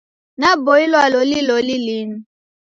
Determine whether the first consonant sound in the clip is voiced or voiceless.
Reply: voiced